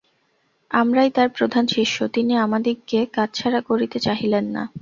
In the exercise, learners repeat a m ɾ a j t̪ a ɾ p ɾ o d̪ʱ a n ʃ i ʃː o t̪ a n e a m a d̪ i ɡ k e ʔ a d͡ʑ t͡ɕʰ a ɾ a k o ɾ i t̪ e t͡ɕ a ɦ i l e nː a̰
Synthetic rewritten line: a m ɾ a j t̪ a ɾ p ɾ o d̪ʱ a n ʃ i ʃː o t̪ i n i a m a d̪ i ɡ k e k a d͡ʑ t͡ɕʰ a ɾ a k o ɾ i t̪ e t͡ɕ a ɦ i l e nː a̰